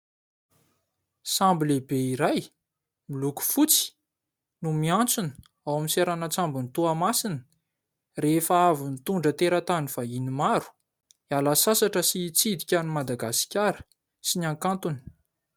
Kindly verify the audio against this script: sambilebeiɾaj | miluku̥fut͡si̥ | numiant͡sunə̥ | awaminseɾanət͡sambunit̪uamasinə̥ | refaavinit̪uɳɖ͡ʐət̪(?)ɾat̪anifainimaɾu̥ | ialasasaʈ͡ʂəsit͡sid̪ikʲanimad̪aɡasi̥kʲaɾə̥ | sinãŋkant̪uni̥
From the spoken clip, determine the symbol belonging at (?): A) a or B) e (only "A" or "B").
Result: B